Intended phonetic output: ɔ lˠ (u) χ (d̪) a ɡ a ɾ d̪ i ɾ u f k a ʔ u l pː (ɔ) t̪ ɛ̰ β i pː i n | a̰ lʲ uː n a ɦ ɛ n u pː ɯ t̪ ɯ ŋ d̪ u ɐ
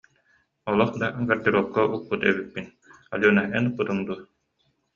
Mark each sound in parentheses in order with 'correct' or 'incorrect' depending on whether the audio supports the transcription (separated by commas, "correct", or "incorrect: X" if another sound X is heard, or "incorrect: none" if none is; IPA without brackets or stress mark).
incorrect: ɔ, correct, incorrect: u